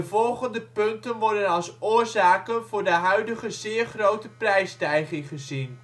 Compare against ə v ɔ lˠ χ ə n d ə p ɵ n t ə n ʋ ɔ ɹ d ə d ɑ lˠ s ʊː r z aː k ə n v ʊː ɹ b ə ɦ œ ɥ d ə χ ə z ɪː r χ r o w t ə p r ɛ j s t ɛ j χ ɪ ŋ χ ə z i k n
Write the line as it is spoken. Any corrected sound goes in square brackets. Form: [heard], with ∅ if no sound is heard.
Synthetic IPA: ə v ɔ lˠ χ ə n d ə p ɵ n t ə n ʋ ɔ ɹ d ə [n] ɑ lˠ s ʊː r z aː k ə n v ʊː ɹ [d] ə ɦ œ ɥ d ə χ ə z ɪː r χ r o w t ə p r ɛ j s t ɛ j χ ɪ ŋ χ ə z i [∅] n